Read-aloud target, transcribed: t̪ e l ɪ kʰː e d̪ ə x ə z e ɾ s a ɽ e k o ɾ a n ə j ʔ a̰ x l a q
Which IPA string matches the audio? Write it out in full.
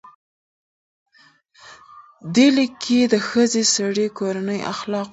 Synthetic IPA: d̪ e l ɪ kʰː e d̪ ə x ə z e s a ɽ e k o ɾ a n ə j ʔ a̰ x l ɑ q